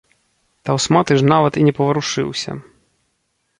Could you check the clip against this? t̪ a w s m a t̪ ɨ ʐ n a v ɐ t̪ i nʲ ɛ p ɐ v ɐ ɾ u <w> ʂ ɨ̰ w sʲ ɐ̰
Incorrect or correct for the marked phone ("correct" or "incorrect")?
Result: incorrect